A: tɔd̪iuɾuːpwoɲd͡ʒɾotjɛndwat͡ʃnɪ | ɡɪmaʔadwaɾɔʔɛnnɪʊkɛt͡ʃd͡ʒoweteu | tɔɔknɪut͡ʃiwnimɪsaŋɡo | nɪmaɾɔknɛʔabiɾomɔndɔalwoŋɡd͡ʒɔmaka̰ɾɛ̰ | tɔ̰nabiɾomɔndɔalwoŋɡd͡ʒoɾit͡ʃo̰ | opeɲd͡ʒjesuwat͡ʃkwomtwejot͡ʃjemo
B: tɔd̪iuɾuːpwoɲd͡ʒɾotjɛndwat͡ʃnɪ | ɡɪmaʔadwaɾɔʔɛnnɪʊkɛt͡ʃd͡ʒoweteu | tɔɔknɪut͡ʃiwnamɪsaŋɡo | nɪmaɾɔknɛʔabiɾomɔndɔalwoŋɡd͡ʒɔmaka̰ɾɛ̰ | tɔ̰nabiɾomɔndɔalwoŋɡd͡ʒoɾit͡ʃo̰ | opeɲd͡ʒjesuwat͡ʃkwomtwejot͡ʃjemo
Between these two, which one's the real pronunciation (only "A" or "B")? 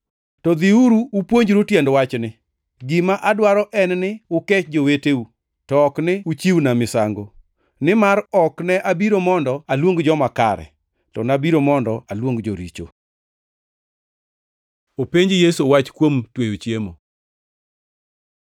B